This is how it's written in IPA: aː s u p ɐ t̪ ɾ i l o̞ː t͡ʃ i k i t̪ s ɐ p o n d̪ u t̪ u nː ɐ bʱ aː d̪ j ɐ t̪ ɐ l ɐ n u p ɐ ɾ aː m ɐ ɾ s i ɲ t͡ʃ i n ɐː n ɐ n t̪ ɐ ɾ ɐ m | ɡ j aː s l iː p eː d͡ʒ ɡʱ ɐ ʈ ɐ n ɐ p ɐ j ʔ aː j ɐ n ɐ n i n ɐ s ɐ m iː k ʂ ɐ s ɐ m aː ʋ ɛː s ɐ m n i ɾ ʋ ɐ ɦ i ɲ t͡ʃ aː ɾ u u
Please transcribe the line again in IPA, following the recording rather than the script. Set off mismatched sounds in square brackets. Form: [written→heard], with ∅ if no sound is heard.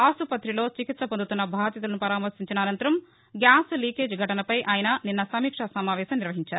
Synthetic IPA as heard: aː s u p ɐ t̪ ɾ i l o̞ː t͡ʃ i k i t̪ s ɐ p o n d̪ u t̪ u nː ɐ bʱ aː d̪ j ɐ t̪ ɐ l ɐ n u p ɐ ɾ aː m ɐ ɾ s i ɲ t͡ʃ i n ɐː n ɐ n t̪ ɐ ɾ ɐ m | ɡ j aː s l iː [p→k] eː d͡ʒ ɡʱ ɐ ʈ ɐ n ɐ p ɐ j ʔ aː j ɐ n ɐ n i [n→nː] ɐ s ɐ m iː k ʂ ɐ s ɐ m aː ʋ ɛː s ɐ m n i ɾ ʋ ɐ ɦ i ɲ t͡ʃ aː ɾ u u